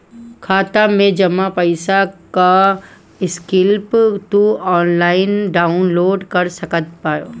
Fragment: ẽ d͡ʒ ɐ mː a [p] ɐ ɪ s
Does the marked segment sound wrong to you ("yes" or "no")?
no